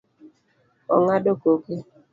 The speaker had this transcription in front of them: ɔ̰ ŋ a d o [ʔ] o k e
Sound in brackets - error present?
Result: yes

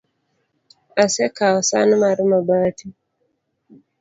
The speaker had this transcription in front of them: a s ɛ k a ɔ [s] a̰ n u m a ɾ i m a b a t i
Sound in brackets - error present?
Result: no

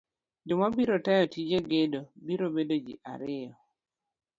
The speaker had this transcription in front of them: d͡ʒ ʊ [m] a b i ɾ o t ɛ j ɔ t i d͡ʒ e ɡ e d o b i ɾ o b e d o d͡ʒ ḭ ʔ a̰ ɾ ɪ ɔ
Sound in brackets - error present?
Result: no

